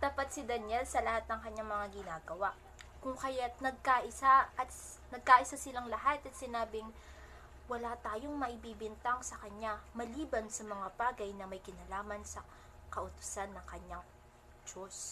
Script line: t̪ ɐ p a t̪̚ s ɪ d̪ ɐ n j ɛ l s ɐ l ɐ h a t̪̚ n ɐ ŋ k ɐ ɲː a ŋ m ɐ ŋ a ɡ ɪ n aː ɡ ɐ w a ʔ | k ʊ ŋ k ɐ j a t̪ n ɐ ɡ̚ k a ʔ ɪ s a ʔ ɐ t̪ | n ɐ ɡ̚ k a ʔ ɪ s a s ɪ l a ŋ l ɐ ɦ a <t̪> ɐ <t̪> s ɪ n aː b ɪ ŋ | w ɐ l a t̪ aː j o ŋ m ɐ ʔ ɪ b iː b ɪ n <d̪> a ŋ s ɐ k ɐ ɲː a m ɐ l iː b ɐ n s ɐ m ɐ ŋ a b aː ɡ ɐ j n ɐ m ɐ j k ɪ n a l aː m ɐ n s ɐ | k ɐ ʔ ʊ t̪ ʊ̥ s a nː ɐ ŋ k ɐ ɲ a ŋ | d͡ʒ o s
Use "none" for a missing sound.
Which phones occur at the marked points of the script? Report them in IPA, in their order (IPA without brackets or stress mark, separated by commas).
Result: t̪, t̪, t̪